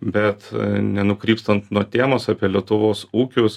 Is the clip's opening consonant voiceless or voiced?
voiced